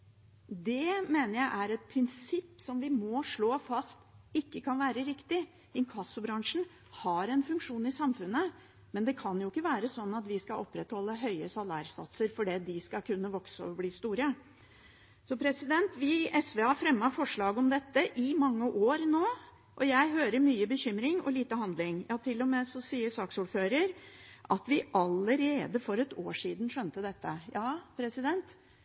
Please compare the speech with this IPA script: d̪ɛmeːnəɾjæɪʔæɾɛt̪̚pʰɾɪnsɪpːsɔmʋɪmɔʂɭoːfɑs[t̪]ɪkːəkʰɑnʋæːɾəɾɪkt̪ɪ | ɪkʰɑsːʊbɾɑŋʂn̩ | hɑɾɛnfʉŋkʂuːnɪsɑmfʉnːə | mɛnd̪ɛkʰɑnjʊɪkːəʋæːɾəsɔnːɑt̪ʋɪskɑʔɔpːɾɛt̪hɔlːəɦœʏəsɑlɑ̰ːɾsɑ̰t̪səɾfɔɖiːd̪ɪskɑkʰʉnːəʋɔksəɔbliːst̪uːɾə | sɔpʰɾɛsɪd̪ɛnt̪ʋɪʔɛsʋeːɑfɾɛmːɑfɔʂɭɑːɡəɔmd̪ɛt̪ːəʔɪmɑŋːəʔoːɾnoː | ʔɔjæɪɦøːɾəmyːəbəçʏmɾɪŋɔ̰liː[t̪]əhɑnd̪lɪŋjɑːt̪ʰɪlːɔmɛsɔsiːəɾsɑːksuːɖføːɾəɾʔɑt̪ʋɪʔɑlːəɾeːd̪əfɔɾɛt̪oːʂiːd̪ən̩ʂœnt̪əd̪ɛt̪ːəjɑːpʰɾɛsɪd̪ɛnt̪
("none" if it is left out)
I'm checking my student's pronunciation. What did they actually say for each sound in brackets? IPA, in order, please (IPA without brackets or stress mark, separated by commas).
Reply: t̪, t̪